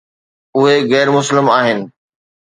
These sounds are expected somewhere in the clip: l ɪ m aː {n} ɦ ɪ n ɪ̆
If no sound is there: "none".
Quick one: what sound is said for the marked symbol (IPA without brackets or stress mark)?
none